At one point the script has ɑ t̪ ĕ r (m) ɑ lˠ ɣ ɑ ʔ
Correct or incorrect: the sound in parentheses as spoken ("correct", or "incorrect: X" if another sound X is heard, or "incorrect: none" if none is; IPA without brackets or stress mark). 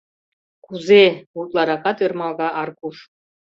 correct